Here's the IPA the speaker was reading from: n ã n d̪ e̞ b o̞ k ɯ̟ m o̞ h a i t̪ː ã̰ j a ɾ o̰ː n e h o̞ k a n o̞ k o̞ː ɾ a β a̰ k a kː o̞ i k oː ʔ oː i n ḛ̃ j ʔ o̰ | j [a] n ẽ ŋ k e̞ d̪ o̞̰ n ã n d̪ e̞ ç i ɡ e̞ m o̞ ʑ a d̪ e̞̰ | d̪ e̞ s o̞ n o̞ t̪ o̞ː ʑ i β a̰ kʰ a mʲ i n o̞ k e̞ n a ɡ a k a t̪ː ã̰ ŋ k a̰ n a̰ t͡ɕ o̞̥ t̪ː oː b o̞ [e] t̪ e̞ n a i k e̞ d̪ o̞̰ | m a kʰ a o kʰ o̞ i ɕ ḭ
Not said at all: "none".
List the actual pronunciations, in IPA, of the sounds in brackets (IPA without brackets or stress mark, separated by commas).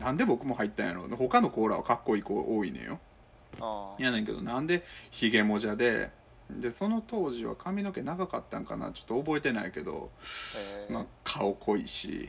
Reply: a, e